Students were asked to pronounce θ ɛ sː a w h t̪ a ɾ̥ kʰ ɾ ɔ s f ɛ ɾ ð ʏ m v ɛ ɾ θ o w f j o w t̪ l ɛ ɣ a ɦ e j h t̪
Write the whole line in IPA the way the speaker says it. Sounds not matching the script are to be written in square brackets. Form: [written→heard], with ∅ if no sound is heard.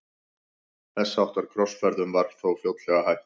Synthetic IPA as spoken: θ ɛ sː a w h t̪ a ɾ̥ kʰ ɾ ɔ s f ɛ ɾ ð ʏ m v [ɛ→a] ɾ θ o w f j o w t̪ l ɛ ɣ a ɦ [e→a] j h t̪